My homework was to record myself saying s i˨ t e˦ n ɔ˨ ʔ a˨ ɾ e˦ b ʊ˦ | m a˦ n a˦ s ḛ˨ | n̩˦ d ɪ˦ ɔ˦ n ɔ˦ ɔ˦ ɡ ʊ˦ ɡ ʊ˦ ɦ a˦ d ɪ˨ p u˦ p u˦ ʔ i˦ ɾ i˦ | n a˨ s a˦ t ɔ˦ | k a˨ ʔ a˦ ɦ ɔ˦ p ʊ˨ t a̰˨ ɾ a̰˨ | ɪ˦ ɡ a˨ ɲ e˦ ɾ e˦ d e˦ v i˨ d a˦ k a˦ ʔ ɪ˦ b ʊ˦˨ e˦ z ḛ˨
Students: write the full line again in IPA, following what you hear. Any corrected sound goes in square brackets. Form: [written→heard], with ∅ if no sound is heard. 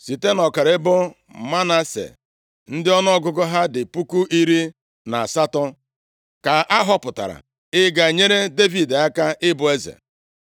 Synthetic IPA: s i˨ t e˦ n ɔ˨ [ʔ→k] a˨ ɾ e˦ b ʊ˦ | m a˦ n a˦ s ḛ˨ | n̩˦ d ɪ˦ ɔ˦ n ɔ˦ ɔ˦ ɡ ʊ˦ ɡ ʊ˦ ɦ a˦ d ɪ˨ p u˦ [p→k] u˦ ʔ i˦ ɾ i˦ | n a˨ s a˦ t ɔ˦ | k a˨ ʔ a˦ ɦ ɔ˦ p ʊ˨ t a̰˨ ɾ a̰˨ | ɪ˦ ɡ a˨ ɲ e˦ ɾ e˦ d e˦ v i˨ d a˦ k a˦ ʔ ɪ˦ b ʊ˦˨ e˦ z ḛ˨